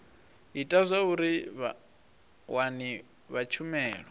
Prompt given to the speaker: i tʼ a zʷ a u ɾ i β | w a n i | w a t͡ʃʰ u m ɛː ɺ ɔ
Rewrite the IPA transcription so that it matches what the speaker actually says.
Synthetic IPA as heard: i tʼ a zʷ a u ɾ i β | w a n i | β a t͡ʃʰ u m ɛː ɺ ɔ